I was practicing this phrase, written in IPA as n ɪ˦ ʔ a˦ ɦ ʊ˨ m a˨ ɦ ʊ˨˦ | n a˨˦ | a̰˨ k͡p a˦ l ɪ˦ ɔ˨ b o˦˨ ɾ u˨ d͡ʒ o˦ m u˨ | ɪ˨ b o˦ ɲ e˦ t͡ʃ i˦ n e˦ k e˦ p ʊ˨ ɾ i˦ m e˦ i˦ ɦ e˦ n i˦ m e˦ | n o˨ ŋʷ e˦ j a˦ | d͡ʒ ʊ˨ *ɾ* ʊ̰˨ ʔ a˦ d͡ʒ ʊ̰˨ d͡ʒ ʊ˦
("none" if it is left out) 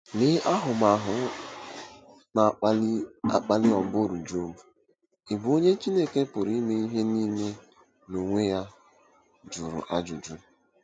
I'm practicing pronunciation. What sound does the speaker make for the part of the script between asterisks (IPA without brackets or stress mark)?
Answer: ɾ